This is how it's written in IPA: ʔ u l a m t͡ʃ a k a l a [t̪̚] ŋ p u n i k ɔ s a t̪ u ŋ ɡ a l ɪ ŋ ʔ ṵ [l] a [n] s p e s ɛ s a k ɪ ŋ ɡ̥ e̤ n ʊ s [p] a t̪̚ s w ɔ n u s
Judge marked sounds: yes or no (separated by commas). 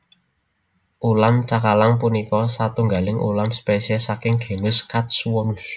no, yes, no, no